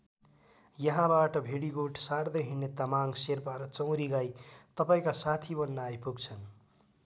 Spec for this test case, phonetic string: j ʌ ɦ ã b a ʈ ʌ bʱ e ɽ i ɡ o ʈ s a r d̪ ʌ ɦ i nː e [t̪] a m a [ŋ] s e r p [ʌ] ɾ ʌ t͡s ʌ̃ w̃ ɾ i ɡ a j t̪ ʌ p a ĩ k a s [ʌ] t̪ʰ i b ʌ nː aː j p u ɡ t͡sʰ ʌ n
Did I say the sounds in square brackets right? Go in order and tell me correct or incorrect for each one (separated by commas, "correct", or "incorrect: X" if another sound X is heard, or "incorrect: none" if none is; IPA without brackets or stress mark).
correct, correct, incorrect: a, incorrect: a